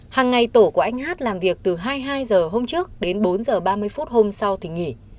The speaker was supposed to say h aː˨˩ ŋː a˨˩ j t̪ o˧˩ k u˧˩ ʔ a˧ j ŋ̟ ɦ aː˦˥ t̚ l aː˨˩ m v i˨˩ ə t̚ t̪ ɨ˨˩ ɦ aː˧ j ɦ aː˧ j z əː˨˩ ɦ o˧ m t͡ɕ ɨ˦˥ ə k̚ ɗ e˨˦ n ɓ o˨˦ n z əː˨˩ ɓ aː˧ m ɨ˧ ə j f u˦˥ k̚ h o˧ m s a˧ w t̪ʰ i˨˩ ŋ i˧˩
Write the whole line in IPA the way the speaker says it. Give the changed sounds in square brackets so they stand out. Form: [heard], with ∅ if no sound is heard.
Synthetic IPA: h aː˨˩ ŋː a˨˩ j t̪ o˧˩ k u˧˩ ʔ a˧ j ŋ̟ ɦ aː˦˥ t̚ l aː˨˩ m v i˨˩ ə [k̚] t̪ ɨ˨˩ ɦ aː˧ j ɦ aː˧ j z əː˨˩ ɦ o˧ m t͡ɕ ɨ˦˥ ə k̚ ɗ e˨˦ n ɓ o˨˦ n z əː˨˩ ɓ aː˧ m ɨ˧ ə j f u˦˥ [t̚] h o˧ m s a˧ w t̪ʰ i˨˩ ŋ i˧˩